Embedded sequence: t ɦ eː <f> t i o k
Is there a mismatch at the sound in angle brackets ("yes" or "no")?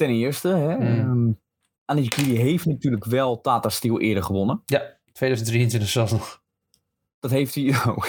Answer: no